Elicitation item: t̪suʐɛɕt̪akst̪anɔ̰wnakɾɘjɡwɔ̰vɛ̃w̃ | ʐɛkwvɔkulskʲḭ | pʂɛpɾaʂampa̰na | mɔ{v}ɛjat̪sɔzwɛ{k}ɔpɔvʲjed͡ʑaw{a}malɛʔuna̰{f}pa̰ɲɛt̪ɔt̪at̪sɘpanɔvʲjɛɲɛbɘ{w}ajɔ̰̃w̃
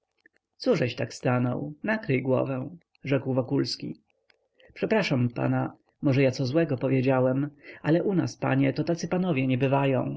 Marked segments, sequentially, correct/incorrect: incorrect: ʐ, incorrect: ɡ, incorrect: ɛ, incorrect: s, incorrect: v

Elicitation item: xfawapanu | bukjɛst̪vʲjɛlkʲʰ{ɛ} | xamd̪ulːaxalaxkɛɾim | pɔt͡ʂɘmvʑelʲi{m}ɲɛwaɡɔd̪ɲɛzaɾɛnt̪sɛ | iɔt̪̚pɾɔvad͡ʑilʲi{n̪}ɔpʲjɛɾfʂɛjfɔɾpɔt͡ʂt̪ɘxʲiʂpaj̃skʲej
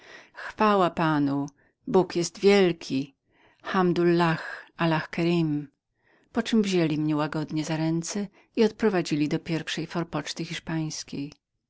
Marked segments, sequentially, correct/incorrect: incorrect: i, correct, incorrect: d̪

